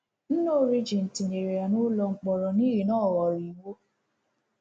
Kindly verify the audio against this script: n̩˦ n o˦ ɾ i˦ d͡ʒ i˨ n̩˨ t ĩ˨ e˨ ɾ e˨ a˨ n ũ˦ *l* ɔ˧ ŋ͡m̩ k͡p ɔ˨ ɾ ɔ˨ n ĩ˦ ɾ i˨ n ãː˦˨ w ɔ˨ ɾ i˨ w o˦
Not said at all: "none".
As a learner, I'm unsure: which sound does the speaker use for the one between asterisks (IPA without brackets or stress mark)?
l